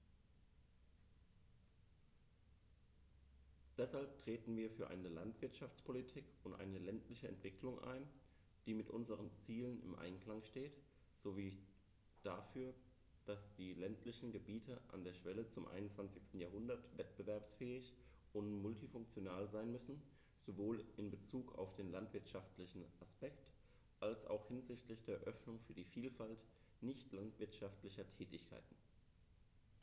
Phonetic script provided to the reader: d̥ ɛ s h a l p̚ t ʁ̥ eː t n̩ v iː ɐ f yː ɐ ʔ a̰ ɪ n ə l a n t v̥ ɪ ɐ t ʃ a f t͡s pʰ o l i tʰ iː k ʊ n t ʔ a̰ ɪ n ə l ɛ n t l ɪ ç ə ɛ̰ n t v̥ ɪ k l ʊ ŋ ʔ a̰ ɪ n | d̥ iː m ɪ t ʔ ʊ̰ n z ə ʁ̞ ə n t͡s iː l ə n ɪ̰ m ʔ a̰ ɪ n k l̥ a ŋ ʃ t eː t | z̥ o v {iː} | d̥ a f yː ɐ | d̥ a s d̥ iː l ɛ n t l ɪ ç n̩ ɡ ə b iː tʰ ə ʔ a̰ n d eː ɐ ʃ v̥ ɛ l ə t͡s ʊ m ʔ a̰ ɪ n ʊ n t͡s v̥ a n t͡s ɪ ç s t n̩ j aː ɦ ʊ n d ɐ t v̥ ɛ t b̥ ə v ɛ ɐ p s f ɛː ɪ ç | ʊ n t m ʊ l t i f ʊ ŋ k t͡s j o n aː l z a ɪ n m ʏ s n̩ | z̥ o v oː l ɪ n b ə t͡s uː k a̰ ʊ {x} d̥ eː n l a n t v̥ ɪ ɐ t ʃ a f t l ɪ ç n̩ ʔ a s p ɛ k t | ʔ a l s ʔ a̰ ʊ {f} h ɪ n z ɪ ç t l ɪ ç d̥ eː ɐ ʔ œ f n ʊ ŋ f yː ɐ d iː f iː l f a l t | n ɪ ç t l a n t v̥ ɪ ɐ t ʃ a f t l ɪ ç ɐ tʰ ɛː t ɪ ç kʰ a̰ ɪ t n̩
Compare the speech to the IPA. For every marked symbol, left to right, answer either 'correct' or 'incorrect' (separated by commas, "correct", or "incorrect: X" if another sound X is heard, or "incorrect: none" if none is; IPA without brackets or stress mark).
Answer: correct, incorrect: f, incorrect: x